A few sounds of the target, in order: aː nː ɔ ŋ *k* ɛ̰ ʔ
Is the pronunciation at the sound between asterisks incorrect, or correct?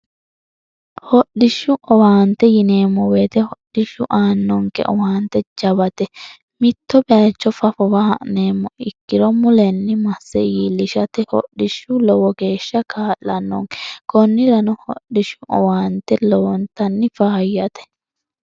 correct